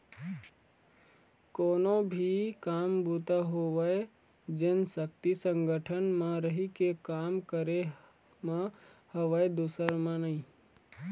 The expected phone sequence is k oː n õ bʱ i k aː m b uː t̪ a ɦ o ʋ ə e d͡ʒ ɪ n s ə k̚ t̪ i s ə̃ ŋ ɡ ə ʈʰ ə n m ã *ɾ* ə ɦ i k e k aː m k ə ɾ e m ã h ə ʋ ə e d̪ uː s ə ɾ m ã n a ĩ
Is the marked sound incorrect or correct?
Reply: correct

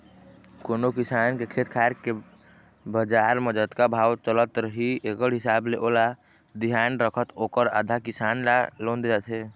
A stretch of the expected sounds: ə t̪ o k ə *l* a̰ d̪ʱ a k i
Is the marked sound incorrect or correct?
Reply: incorrect: ɾ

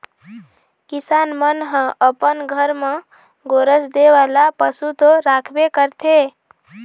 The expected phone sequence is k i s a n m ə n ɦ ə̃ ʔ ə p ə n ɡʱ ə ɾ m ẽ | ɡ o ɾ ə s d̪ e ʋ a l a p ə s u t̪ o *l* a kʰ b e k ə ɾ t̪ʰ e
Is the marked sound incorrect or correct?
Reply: incorrect: ɾ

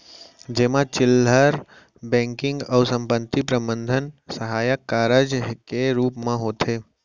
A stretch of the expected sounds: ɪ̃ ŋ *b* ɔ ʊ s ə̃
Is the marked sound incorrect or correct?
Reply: incorrect: ɡ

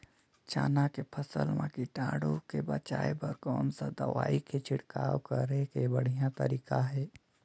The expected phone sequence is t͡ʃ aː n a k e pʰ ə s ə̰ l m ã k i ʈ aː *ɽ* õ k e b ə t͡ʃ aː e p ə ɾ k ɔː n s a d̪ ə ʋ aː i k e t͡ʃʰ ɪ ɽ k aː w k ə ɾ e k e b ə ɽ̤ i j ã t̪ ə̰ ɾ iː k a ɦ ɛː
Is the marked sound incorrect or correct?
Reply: correct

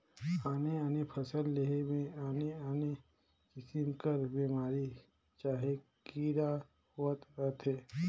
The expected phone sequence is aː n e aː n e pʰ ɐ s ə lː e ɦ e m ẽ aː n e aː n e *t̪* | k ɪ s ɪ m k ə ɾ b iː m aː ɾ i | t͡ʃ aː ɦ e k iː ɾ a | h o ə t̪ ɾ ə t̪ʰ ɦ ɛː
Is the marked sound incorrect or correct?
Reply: incorrect: none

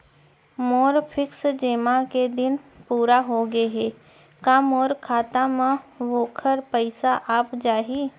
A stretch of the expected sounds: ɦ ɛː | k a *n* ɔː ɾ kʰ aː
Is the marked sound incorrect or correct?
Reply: incorrect: m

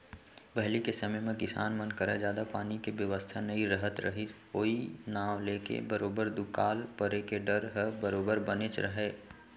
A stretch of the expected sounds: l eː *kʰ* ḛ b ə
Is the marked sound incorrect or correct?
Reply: incorrect: k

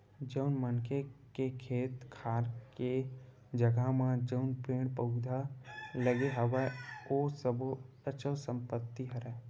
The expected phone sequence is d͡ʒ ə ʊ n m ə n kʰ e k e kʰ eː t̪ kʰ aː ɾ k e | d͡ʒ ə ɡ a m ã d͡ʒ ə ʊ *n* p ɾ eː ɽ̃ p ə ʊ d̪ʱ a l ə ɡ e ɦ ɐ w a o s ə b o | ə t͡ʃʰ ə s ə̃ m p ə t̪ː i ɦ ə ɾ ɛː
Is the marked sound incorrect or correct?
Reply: correct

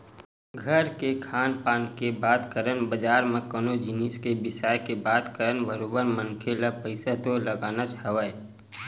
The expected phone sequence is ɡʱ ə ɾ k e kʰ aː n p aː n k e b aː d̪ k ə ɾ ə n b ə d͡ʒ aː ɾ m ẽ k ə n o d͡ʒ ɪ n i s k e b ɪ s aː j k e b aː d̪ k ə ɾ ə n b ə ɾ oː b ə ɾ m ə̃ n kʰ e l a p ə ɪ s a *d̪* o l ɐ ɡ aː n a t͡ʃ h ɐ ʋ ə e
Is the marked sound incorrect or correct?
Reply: incorrect: t̪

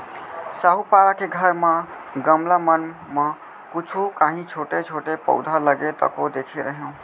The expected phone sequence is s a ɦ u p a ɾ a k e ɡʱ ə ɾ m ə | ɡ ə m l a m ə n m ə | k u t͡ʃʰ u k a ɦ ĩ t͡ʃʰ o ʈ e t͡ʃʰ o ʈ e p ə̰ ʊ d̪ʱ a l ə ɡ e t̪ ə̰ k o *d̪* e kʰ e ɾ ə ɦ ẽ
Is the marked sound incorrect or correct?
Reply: correct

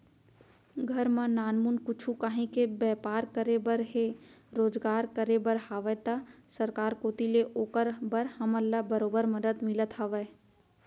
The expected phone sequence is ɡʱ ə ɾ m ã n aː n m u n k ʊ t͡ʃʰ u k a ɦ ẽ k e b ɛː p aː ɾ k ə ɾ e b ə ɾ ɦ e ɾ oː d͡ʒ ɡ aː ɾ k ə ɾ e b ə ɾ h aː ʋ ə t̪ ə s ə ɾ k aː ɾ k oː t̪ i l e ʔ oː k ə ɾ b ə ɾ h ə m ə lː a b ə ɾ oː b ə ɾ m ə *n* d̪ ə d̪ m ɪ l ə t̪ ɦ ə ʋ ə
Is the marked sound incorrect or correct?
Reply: incorrect: none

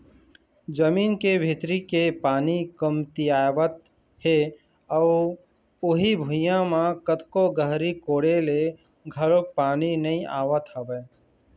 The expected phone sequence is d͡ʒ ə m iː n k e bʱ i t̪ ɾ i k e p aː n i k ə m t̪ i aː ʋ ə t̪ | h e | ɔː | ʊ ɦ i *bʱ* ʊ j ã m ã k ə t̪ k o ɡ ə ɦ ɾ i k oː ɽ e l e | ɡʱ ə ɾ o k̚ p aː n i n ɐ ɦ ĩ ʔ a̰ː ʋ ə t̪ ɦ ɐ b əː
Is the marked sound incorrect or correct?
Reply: correct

